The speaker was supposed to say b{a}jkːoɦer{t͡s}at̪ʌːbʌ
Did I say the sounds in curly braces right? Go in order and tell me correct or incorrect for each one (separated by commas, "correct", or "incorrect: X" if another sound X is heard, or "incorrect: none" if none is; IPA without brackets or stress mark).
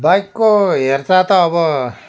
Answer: correct, correct